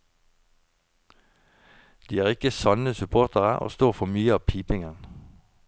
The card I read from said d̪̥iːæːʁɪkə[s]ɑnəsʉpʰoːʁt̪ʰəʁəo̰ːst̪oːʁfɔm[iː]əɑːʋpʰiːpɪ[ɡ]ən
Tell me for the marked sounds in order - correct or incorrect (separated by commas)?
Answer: correct, incorrect, incorrect